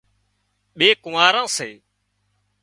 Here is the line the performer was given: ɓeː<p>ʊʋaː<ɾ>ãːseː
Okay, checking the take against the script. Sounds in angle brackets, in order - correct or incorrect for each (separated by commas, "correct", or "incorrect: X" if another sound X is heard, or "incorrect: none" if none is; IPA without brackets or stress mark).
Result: incorrect: k, correct